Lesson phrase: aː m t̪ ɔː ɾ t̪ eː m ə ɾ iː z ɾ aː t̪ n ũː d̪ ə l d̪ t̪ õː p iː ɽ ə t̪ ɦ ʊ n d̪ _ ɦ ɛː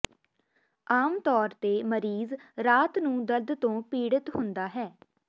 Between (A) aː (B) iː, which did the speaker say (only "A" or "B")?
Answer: A